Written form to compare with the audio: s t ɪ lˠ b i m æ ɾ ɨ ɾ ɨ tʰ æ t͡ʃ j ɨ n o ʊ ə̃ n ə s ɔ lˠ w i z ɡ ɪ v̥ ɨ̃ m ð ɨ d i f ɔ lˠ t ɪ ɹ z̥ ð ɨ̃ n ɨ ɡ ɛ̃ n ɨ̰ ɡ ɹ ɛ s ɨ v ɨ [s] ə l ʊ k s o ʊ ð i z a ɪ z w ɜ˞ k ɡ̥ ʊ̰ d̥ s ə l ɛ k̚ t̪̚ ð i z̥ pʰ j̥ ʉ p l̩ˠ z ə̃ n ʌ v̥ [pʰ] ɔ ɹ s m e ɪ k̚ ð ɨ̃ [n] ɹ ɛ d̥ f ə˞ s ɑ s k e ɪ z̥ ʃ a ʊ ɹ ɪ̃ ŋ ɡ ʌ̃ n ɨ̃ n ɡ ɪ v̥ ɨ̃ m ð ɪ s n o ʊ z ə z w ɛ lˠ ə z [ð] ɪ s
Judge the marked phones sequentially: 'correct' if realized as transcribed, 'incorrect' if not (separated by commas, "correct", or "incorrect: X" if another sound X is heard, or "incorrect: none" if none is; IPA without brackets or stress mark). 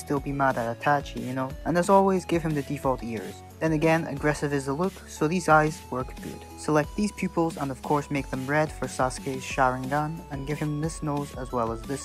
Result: incorrect: z, incorrect: kʰ, incorrect: m, correct